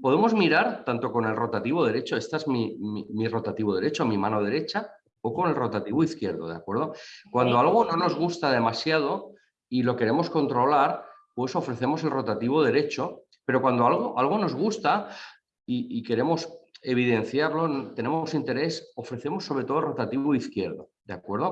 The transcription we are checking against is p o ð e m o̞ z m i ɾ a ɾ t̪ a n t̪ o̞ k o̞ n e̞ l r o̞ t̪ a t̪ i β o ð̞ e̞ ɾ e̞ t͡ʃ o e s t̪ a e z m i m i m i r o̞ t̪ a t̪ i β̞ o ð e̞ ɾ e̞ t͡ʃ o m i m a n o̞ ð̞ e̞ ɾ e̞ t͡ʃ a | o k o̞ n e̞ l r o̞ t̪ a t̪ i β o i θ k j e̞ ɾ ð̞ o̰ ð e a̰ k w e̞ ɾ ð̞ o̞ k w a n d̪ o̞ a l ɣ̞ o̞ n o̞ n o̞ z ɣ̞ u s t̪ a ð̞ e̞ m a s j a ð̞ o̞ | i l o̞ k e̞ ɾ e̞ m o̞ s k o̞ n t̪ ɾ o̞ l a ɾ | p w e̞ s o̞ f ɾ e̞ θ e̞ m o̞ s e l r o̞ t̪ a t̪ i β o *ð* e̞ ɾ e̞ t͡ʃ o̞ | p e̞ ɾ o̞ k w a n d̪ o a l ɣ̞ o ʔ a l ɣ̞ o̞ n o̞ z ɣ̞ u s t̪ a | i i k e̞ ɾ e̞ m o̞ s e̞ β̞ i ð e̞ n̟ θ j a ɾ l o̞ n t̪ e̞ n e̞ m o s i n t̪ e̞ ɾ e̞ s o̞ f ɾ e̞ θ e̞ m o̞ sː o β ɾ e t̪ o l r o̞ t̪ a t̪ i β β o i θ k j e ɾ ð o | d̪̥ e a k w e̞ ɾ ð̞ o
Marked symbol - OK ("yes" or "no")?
yes